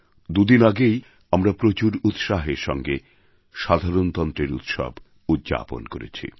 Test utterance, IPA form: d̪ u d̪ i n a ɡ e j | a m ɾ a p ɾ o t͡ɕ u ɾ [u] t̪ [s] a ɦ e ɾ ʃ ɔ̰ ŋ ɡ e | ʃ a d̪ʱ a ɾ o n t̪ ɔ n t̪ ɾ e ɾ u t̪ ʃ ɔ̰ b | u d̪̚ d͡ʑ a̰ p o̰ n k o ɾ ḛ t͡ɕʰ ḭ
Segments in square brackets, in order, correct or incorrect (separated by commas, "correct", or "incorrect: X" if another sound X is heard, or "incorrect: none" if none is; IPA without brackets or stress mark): correct, incorrect: ʃ